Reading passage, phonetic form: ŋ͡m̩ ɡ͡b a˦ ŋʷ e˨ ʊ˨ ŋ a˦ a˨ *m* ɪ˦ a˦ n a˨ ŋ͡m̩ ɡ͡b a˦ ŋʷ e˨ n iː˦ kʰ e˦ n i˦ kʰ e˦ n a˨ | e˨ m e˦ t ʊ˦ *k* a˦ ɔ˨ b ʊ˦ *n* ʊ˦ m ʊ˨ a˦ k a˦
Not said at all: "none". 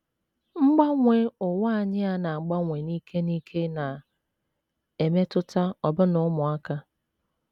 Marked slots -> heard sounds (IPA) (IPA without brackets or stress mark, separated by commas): ɲ, t, n